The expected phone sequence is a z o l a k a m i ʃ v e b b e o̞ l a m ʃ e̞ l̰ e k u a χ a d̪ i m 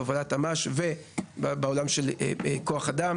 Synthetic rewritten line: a v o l a t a m a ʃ v e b b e o̞ l a m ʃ e̞ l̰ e k o a χ a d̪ a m